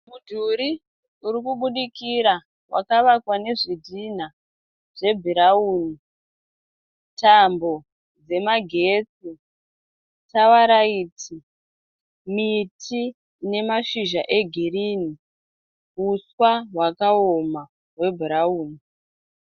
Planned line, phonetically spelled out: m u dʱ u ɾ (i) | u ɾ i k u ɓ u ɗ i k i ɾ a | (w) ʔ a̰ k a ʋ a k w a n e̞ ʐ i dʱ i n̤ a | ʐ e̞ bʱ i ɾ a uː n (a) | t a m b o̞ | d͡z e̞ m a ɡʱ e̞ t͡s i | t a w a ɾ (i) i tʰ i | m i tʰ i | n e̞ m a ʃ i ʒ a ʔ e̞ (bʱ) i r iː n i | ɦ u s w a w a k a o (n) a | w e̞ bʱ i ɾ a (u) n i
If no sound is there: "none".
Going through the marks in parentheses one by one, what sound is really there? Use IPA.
i, w, i, a, ɡʱ, m, uː

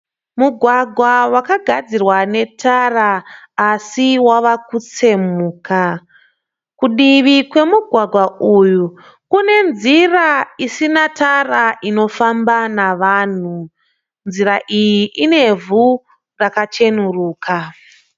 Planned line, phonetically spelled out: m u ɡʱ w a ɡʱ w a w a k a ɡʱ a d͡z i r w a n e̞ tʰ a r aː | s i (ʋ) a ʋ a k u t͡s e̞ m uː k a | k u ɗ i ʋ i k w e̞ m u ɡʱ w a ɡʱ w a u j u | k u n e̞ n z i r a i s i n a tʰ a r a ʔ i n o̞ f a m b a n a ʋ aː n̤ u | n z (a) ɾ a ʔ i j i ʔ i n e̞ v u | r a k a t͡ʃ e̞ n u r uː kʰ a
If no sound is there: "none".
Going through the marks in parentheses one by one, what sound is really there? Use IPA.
w, i

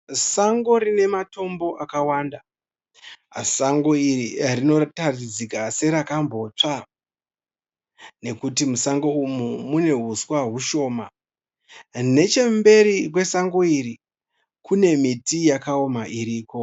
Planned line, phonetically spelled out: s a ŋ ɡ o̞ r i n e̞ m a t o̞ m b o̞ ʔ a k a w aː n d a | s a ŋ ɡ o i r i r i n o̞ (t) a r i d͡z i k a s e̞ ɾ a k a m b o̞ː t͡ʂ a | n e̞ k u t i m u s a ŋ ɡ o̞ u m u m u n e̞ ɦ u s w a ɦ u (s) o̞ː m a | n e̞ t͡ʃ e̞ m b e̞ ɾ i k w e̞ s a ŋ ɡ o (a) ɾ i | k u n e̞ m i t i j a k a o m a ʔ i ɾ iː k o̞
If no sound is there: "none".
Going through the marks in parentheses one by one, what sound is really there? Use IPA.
t, ʃ, i

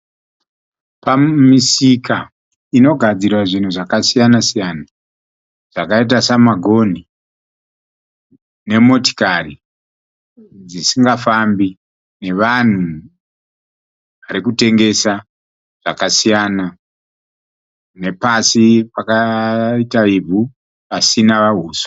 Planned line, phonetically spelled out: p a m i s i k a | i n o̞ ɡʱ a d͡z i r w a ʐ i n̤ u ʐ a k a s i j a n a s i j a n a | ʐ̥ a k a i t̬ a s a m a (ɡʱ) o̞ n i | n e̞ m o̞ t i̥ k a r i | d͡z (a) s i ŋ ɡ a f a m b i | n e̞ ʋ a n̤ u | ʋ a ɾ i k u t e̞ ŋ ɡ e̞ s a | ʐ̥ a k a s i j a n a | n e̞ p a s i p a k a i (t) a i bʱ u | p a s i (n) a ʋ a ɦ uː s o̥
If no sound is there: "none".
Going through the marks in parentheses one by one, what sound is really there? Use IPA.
ɡʱ, i, t, n

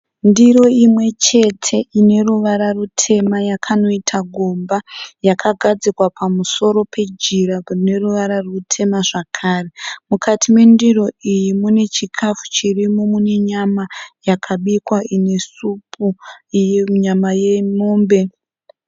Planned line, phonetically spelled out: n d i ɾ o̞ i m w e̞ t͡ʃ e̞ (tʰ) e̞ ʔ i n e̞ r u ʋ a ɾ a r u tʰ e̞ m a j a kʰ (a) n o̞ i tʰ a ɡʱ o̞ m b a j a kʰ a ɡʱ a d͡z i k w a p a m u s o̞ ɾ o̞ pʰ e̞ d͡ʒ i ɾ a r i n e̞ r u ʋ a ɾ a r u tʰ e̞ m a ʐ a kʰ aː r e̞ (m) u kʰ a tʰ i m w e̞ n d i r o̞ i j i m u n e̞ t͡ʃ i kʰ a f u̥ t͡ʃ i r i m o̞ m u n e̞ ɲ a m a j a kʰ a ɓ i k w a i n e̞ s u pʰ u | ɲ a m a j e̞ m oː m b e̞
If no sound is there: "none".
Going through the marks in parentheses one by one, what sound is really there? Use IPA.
tʰ, a, m

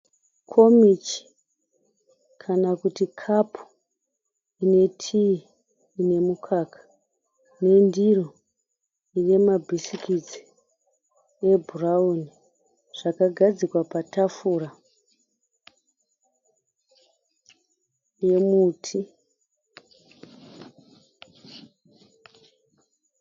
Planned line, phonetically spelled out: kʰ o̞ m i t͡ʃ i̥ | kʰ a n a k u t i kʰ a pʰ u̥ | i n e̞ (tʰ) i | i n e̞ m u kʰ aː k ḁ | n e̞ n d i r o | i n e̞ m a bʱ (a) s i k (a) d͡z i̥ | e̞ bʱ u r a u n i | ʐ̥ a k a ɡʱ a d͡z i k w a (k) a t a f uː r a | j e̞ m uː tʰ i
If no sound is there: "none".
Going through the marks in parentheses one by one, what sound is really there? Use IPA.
tʰ, i, i, p

